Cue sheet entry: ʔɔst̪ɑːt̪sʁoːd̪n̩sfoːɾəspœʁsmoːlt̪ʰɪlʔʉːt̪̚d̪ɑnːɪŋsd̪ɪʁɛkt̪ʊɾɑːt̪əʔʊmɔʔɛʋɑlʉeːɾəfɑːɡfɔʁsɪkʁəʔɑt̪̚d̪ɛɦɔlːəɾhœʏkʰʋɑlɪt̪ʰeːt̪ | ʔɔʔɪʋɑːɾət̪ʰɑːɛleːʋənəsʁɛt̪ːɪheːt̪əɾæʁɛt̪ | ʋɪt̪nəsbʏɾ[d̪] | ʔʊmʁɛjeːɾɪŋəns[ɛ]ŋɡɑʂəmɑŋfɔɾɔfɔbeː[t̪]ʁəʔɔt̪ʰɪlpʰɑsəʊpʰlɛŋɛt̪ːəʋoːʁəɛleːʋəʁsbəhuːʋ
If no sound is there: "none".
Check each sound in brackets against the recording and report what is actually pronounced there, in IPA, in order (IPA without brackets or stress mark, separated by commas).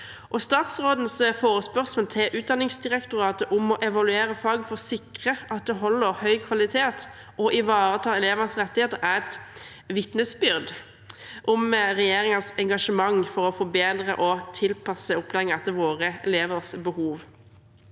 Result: d̪, ɛ, d̪